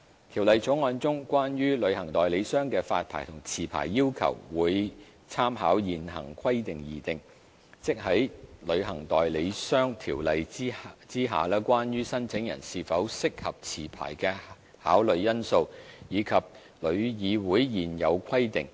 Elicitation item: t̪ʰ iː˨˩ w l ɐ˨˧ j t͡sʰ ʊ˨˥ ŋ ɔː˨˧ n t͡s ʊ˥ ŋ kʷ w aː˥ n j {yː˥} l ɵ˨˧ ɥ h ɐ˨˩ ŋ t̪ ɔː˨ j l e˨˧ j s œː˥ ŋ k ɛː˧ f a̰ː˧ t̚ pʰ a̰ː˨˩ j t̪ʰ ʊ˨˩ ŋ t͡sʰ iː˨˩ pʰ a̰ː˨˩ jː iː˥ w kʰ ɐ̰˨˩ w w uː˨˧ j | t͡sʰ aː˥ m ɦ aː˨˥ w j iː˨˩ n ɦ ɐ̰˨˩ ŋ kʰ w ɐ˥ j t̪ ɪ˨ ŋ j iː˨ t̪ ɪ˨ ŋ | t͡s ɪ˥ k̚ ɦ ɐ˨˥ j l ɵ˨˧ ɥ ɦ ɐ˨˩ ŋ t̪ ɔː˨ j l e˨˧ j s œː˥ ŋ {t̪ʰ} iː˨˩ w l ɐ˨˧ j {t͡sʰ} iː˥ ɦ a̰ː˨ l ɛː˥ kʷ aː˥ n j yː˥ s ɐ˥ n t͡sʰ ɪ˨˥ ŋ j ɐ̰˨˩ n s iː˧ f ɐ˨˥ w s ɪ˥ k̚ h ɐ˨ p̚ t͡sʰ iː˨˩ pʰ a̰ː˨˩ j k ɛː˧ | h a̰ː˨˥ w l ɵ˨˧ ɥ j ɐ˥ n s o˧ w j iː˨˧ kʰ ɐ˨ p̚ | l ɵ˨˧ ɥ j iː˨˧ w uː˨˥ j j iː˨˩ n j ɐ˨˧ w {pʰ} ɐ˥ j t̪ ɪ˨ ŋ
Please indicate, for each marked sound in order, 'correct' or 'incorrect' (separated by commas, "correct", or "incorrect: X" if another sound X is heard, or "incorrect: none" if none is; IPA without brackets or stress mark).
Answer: correct, correct, incorrect: t͡s, incorrect: kʰ